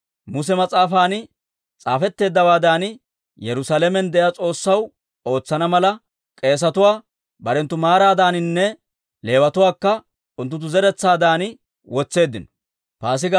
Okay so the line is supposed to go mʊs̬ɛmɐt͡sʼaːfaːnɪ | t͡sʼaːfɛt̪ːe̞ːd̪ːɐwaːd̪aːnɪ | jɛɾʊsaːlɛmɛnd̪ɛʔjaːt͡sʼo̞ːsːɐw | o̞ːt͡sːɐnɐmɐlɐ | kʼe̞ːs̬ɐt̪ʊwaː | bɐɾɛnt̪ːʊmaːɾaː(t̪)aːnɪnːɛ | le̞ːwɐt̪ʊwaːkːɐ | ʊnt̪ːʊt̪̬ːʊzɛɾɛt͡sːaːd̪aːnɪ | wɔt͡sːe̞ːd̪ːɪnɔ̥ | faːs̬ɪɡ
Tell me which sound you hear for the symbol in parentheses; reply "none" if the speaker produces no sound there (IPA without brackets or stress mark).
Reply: d̪